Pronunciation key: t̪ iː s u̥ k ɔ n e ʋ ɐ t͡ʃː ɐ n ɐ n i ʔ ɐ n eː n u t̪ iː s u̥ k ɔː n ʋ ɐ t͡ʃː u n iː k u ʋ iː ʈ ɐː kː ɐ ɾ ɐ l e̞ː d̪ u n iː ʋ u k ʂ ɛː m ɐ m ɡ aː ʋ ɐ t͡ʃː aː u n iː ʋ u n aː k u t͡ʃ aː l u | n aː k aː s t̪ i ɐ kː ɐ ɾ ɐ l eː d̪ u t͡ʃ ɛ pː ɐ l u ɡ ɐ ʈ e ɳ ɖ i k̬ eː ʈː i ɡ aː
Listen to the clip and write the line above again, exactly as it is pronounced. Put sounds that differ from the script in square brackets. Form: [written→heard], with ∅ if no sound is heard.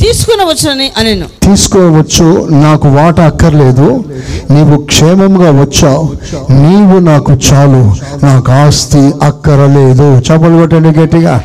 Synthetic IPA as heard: t̪ iː s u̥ k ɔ n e ʋ ɐ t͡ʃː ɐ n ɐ n i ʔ ɐ n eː n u t̪ iː s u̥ k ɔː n ʋ ɐ t͡ʃː u n [iː→aː] k u ʋ [iː→aː] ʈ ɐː kː ɐ ɾ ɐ l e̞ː d̪ u n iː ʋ u k ʂ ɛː m ɐ m ɡ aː ʋ ɐ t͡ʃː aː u n iː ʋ u n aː k u t͡ʃ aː l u | n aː k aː s t̪ i ɐ kː ɐ ɾ ɐ l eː d̪ u t͡ʃ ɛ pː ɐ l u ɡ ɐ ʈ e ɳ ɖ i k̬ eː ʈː i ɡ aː